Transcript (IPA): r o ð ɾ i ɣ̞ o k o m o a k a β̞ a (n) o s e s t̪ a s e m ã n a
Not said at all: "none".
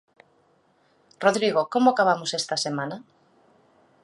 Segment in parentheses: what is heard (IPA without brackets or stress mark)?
m